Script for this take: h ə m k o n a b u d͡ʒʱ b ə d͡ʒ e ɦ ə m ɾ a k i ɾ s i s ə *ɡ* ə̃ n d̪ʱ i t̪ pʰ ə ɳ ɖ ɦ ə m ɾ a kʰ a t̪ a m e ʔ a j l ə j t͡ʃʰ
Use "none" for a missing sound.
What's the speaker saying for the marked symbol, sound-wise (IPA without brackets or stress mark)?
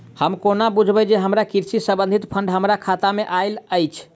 b